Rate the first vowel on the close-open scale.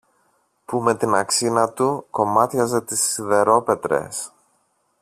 close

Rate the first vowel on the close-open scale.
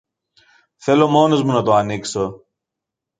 mid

